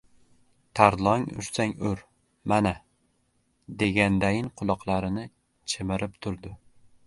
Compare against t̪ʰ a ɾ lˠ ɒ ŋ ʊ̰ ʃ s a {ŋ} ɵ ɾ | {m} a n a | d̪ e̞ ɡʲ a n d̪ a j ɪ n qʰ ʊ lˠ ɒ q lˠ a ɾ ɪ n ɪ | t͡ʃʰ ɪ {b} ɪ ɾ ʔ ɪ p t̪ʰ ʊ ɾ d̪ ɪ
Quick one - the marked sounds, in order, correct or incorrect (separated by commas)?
correct, correct, incorrect